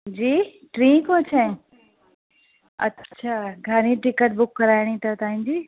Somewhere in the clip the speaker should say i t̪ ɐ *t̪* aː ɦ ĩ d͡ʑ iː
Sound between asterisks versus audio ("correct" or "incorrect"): correct